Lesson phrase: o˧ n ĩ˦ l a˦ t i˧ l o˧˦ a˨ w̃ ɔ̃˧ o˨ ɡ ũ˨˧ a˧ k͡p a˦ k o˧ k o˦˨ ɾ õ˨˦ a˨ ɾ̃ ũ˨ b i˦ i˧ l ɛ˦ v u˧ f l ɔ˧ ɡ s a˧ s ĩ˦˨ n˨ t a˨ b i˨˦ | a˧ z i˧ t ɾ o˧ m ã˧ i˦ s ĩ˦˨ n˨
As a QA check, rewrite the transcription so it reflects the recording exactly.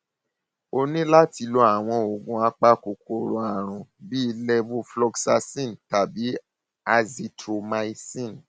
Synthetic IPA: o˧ n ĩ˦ l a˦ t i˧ l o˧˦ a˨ w̃ ɔ̃˧ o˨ ɡ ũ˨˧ a˧ k͡p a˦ k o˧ k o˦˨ ɾ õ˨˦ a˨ ɾ̃ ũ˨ b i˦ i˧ l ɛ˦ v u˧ f l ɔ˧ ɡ s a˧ s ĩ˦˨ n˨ t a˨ b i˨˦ | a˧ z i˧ t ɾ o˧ m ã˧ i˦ s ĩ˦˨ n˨